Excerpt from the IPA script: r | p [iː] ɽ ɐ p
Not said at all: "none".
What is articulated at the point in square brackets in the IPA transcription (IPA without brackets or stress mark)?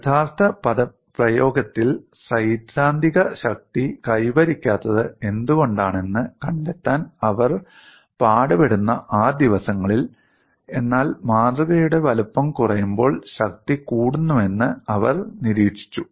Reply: aː